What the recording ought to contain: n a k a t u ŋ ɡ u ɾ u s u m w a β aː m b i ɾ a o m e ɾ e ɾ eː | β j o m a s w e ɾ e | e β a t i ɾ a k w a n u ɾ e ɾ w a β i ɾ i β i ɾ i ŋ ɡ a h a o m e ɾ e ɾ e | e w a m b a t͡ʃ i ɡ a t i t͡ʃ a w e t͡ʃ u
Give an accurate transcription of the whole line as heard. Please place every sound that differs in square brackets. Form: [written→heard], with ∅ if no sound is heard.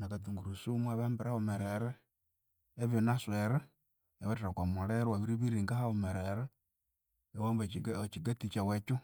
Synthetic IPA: n a k a t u ŋ ɡ u ɾ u s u m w a β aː m b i ɾ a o m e ɾ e ɾ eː | β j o [m→n] a s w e ɾ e | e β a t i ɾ a k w a [n→m] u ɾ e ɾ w a β i ɾ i β i ɾ i ŋ ɡ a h a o m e ɾ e ɾ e | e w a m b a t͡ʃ i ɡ a t i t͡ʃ a w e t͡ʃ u